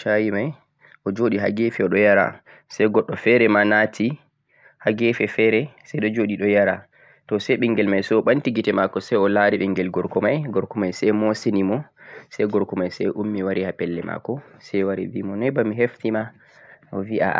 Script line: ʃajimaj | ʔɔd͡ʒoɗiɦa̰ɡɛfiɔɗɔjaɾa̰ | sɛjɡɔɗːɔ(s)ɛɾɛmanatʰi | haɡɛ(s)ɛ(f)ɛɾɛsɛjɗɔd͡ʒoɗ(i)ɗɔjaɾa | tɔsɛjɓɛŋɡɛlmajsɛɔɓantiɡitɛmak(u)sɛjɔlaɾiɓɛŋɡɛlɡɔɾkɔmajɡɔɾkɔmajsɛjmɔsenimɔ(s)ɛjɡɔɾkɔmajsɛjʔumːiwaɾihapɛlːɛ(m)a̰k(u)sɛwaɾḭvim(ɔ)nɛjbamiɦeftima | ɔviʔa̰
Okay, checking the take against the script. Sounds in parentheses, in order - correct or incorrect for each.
incorrect, incorrect, correct, correct, incorrect, correct, correct, incorrect, correct

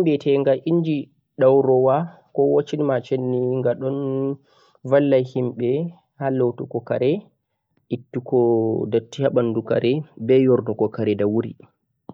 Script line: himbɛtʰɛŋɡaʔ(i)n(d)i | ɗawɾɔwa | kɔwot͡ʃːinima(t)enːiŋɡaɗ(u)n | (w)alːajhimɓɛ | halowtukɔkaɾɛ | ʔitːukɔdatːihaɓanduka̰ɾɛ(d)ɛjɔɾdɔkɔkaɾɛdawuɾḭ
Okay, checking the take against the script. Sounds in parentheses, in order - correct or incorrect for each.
correct, incorrect, incorrect, incorrect, incorrect, incorrect

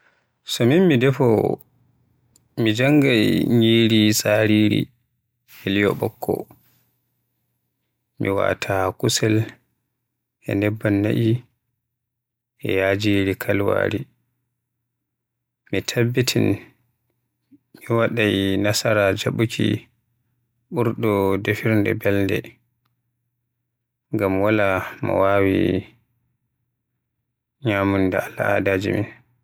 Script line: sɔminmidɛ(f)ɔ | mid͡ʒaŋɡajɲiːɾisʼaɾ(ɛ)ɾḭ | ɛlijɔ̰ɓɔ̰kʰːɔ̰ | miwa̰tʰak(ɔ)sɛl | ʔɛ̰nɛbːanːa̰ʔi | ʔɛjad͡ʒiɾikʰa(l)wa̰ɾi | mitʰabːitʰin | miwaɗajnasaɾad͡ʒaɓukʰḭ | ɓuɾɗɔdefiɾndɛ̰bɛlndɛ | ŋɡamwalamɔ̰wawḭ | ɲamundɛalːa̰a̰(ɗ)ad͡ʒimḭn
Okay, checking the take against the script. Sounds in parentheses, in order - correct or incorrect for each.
correct, incorrect, incorrect, correct, incorrect

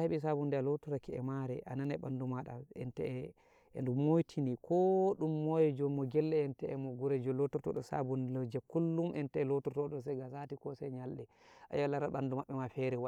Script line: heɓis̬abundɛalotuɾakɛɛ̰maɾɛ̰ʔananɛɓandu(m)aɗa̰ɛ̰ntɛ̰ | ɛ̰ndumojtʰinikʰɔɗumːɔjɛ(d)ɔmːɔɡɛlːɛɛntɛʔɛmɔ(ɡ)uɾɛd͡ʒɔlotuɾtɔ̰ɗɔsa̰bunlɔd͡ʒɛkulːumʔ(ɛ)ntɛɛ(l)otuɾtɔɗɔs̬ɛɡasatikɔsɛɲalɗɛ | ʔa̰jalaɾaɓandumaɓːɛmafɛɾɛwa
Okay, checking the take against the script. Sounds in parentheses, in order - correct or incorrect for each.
correct, incorrect, correct, correct, correct

